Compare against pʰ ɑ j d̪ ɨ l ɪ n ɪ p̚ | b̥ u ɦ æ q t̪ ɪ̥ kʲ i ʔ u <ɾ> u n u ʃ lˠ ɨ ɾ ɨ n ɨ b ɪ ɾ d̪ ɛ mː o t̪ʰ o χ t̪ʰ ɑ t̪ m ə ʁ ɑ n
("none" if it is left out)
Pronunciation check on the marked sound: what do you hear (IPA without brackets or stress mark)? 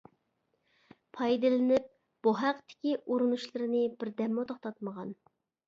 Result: ɾ